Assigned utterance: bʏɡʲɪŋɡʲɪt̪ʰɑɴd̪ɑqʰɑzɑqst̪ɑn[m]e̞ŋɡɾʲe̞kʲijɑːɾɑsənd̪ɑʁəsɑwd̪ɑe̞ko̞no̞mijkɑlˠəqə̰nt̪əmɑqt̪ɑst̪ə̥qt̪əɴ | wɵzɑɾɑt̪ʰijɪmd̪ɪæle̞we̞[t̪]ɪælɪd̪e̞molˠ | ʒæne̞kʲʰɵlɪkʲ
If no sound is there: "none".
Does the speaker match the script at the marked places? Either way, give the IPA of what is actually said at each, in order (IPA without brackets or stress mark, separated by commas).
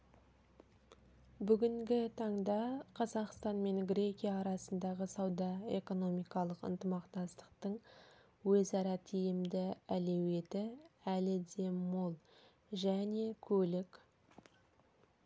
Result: m, t̪